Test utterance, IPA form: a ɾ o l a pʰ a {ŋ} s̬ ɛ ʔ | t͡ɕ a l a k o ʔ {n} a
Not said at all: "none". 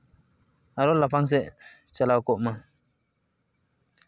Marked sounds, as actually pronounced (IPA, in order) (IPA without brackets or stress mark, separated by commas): ŋ, m